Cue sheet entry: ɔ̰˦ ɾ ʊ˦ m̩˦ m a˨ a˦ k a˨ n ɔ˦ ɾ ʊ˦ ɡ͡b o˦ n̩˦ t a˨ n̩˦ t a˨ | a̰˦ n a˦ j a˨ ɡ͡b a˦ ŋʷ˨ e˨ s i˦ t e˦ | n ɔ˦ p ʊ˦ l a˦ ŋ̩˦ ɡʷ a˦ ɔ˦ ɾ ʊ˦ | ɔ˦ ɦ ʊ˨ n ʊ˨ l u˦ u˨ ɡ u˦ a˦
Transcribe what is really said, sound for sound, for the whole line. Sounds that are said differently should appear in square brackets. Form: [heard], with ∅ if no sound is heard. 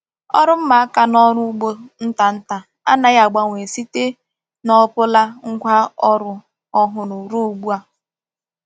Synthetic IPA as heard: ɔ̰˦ ɾ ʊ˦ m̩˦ m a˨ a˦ k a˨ n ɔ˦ ɾ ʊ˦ ɡ͡b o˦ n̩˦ t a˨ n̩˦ t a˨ | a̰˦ n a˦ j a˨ ɡ͡b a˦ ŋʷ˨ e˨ s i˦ t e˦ | n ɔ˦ p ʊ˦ l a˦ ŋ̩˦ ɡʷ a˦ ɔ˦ ɾ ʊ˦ | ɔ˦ ɦ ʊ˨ n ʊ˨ [ɾ] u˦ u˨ [ɡ͡b] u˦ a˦